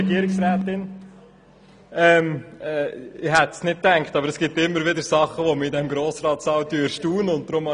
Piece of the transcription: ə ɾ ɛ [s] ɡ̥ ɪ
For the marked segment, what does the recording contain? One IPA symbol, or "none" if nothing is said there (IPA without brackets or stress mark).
s